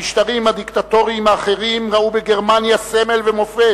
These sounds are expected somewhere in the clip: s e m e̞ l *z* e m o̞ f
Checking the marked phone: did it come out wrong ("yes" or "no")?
yes